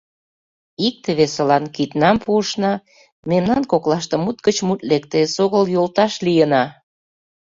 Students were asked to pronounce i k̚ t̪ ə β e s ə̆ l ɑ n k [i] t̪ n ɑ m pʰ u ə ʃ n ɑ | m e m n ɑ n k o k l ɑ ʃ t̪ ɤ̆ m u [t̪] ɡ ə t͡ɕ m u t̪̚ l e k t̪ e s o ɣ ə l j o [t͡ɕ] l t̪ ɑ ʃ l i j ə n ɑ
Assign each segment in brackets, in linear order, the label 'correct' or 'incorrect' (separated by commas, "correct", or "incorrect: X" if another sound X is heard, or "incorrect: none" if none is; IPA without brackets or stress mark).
correct, correct, incorrect: none